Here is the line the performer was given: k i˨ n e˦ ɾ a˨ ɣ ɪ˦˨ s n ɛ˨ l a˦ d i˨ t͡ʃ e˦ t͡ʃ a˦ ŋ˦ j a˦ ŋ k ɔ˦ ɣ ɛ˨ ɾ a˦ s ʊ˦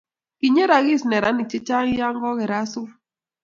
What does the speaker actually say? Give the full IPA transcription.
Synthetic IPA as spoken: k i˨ ɲ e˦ ɾ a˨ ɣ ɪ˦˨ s n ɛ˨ ɾ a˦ n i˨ t͡ʃ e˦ t͡ʃ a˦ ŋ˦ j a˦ ŋ ɡ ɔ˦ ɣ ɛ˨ ɾ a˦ s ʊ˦